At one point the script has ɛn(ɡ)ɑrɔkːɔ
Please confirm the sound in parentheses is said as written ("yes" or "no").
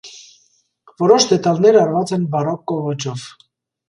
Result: no